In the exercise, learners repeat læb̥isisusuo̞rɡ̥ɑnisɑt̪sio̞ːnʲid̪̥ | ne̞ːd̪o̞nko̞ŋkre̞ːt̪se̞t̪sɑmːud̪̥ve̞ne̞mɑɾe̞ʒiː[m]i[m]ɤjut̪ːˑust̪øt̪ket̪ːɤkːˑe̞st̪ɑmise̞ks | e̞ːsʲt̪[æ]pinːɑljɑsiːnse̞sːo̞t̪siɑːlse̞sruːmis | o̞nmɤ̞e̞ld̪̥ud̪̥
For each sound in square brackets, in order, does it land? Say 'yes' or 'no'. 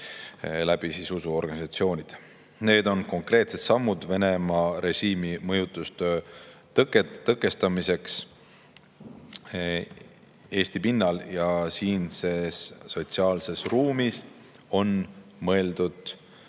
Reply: yes, yes, no

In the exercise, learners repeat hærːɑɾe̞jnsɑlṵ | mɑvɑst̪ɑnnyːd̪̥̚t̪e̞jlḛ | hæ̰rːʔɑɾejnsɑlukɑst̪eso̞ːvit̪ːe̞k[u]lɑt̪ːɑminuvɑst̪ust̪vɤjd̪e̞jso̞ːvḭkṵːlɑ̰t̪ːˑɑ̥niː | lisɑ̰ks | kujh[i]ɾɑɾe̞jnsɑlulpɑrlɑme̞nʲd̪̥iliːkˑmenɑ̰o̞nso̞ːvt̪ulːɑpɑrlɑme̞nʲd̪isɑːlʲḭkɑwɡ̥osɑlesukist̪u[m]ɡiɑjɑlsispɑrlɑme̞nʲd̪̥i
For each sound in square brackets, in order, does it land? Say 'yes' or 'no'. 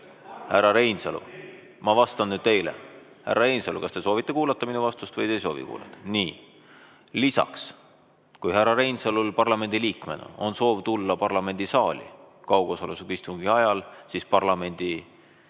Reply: no, no, no

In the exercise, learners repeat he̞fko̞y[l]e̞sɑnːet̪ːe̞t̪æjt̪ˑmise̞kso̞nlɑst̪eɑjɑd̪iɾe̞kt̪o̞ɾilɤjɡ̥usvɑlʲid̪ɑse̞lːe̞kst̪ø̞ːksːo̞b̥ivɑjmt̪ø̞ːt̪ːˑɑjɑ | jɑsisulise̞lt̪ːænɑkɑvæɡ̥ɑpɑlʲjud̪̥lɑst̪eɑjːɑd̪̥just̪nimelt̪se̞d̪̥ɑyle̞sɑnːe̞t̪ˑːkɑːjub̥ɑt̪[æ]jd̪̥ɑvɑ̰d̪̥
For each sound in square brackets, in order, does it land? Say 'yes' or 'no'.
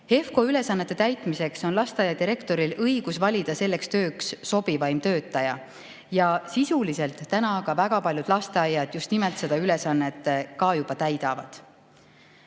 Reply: yes, yes

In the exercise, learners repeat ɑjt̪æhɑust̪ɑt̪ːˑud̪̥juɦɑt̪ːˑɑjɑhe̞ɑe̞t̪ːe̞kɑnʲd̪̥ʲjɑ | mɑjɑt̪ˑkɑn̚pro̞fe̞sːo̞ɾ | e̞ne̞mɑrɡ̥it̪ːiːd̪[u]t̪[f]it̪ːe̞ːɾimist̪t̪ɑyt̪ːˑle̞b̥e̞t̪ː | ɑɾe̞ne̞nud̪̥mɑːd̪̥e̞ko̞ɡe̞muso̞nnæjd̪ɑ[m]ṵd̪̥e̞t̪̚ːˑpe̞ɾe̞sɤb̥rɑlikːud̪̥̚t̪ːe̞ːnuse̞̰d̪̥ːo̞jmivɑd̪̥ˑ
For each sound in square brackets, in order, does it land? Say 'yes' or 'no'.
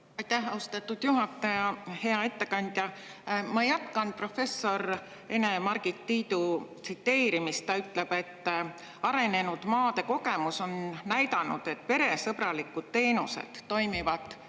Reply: yes, no, no

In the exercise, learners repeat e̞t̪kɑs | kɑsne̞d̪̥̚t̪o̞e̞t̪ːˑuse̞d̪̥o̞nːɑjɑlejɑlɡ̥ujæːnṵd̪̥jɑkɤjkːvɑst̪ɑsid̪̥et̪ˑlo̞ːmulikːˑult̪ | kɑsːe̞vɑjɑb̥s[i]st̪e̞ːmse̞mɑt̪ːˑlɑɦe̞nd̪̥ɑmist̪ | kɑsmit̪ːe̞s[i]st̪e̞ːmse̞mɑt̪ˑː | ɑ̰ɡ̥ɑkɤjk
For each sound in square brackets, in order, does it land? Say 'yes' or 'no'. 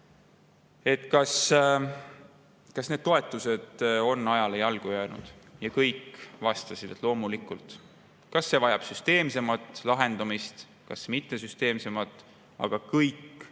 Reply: no, no

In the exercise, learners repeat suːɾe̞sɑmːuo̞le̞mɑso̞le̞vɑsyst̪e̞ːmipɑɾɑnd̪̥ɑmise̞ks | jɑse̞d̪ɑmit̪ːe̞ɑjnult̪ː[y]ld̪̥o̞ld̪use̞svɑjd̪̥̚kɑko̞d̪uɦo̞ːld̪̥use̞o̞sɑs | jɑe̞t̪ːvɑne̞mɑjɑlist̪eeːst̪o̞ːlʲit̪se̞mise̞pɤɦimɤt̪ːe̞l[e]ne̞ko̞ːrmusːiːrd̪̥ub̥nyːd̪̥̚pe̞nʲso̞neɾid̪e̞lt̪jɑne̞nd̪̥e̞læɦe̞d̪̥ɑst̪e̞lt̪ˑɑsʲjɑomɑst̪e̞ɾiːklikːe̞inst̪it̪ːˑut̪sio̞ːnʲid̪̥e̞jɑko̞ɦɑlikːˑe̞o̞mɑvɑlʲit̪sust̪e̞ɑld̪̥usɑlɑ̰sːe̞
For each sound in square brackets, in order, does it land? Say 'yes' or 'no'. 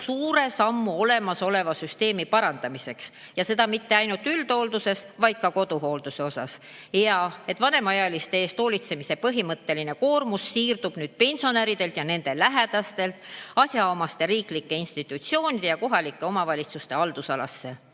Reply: yes, no

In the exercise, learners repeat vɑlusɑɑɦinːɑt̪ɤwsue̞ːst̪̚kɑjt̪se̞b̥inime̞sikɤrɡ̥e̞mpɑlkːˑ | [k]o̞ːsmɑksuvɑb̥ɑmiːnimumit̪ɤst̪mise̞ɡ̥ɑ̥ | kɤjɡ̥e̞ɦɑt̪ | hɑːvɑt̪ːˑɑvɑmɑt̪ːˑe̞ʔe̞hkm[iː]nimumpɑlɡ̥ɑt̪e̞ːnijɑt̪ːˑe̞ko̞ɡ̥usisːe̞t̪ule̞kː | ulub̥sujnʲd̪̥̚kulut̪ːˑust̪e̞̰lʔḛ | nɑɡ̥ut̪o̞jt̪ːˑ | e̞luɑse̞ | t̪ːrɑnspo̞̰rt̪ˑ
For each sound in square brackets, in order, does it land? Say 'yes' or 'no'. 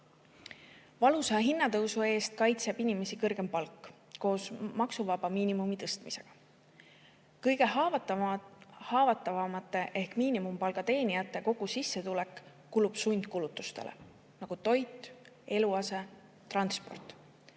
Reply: yes, yes

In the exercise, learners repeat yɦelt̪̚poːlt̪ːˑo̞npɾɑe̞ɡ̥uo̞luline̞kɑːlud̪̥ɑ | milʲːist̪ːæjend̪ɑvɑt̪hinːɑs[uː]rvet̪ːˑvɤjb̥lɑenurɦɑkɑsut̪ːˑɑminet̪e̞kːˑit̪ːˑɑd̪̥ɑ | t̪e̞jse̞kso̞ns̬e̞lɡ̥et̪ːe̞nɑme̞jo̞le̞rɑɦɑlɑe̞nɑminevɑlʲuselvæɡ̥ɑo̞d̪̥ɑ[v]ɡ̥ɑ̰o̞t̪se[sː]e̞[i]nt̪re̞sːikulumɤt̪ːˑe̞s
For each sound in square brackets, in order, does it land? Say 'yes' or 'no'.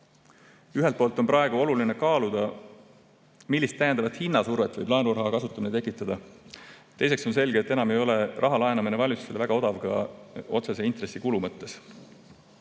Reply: no, yes, no, yes

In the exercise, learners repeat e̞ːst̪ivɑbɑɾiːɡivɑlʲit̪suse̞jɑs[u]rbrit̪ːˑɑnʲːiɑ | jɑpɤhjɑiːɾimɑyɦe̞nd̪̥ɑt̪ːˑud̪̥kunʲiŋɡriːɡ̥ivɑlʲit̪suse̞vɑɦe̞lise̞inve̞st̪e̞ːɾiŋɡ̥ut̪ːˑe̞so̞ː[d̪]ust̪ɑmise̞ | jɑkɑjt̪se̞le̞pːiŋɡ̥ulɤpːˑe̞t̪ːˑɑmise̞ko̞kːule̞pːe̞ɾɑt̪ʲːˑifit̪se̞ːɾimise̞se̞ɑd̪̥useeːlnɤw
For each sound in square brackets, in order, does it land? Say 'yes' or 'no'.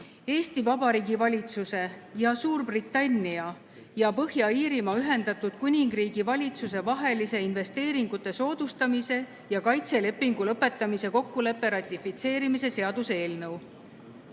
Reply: no, yes

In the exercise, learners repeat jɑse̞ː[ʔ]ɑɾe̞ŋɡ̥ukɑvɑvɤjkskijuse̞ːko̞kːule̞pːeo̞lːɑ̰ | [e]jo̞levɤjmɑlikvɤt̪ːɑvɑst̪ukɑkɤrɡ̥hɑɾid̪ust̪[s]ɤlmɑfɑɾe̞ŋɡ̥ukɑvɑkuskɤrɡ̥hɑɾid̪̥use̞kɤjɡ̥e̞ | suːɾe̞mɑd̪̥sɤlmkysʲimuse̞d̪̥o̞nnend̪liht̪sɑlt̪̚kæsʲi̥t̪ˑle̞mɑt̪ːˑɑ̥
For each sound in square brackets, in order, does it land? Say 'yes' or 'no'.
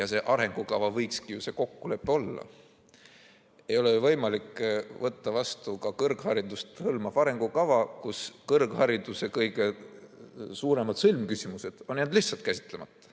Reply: yes, yes, no

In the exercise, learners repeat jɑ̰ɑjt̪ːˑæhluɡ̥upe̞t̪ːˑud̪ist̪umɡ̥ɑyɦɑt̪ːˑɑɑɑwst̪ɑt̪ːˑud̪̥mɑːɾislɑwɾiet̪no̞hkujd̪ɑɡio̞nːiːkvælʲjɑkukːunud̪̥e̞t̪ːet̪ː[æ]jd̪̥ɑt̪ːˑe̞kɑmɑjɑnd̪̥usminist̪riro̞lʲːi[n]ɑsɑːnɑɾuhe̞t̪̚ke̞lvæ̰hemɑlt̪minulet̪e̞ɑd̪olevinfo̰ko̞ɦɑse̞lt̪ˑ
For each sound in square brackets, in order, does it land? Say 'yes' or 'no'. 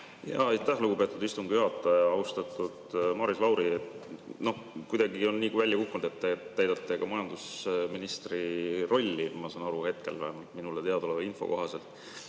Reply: yes, no

